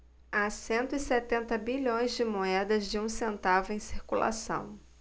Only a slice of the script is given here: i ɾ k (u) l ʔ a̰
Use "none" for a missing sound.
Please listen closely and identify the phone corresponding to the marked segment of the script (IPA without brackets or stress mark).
u